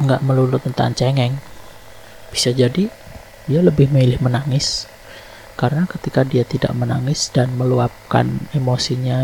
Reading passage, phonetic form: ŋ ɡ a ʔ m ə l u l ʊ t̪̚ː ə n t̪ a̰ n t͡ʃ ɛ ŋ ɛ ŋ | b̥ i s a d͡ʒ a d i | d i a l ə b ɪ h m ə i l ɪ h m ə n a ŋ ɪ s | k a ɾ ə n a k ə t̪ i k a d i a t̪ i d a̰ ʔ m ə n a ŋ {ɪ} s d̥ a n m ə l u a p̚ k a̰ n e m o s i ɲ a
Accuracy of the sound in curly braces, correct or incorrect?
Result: correct